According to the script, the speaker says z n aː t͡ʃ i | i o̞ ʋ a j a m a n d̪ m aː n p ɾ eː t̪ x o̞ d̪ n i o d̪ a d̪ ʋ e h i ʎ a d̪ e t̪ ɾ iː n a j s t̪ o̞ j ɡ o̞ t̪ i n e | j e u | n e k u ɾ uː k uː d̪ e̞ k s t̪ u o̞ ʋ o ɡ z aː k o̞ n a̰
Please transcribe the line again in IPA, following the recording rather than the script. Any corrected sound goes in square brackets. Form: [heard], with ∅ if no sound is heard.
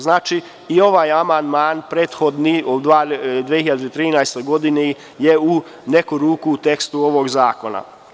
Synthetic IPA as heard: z n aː t͡ʃ i | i o̞ ʋ a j a m a n d̪ m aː n p ɾ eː t̪ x o̞ d̪ n i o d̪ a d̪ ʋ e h i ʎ a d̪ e t̪ ɾ iː n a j s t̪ o̞ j ɡ o̞ [d̪] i n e | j e u | n e k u ɾ uː k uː [t̪] e̞ k s t̪ u o̞ ʋ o ɡ z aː k o̞ n a̰